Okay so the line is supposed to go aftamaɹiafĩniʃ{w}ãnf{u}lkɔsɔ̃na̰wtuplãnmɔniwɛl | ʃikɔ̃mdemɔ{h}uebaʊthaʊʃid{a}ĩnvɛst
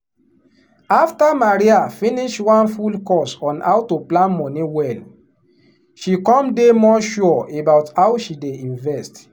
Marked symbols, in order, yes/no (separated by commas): yes, yes, no, no